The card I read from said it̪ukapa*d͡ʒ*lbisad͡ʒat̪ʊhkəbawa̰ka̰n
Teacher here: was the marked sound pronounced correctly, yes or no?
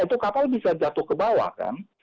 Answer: no